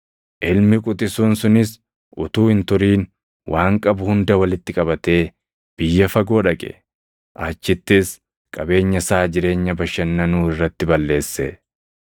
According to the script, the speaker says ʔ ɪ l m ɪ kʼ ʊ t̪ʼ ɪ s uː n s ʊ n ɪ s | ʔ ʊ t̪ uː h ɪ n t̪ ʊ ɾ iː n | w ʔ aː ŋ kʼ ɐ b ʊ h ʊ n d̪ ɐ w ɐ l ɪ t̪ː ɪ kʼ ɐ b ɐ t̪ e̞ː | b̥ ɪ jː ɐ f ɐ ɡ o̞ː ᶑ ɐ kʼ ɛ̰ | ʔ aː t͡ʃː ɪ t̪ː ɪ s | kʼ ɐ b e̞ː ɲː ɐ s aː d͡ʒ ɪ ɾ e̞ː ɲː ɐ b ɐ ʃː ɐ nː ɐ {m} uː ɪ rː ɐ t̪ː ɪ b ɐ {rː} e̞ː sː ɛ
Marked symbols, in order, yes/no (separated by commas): no, no